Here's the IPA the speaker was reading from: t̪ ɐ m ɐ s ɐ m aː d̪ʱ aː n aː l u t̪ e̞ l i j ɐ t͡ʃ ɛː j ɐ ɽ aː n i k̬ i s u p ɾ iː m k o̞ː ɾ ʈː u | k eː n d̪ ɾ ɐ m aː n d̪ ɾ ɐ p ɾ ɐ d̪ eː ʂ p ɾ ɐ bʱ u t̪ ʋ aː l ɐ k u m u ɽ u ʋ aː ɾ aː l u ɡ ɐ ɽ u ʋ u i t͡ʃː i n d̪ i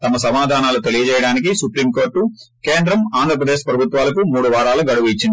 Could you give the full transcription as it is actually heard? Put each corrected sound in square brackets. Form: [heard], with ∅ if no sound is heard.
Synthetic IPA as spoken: t̪ ɐ m ɐ s ɐ m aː d̪ʱ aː n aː l u t̪ e̞ l i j ɐ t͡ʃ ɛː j ɐ ɽ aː n i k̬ i s u p ɾ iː m k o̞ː ɾ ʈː u | k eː n d̪ ɾ ɐ m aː n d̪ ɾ ɐ p ɾ ɐ d̪ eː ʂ p ɾ ɐ bʱ u t̪ ʋ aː l ɐ k u m [uː] ɽ u ʋ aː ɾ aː l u ɡ ɐ ɽ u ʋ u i t͡ʃː i n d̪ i